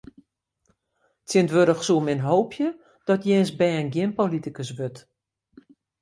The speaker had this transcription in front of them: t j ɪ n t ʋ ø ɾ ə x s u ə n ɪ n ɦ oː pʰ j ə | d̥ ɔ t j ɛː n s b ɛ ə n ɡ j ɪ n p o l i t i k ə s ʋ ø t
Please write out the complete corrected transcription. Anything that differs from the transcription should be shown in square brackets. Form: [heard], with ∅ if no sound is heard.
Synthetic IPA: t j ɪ n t ʋ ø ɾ ə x s u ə [m] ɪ n ɦ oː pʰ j ə | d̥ ɔ t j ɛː n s b ɛ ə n ɡ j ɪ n p o l i t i k ə s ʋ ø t

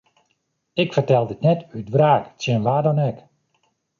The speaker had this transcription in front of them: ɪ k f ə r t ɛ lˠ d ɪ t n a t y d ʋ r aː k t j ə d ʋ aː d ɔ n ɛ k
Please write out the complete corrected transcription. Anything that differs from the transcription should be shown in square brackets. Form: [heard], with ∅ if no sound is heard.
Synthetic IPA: ɪ k f ə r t ɛ lˠ d ɪ t n [ɛ] t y d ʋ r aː k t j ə [n] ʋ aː d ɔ n ɛ k

